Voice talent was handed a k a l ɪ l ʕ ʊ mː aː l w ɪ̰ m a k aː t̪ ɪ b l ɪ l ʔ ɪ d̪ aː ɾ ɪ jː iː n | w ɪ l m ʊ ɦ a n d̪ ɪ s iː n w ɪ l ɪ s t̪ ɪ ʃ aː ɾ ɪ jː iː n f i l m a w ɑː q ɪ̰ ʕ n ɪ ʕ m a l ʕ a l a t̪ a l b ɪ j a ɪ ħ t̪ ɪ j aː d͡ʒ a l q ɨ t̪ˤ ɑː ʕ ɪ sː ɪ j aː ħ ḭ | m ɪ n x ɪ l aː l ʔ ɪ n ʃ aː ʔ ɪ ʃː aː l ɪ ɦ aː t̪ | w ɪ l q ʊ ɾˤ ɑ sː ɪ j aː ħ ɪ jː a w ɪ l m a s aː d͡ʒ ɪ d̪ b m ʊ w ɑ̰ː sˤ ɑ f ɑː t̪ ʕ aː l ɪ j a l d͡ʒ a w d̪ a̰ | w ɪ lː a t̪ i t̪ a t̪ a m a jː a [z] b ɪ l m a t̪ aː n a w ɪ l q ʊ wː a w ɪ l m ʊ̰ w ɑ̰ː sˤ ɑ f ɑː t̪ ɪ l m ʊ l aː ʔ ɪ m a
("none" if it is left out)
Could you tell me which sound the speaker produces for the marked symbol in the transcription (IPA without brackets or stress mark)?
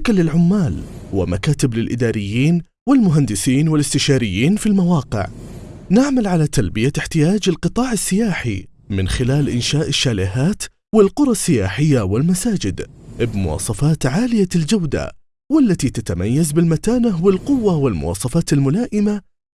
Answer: z